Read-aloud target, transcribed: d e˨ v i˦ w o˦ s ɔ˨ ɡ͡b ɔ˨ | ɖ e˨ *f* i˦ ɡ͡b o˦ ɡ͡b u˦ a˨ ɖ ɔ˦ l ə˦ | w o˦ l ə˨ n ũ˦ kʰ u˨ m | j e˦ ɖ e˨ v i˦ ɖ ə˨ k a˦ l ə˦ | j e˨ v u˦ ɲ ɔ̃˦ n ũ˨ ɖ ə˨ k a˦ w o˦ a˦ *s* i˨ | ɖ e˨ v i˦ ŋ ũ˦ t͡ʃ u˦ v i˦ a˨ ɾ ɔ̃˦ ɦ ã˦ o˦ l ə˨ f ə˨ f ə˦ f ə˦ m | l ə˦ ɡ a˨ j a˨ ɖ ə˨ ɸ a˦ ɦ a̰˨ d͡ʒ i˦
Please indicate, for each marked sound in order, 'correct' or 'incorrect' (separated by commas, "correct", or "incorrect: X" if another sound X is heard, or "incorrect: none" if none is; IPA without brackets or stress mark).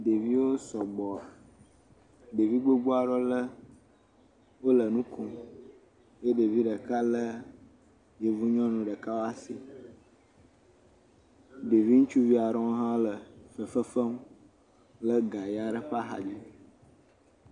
incorrect: v, correct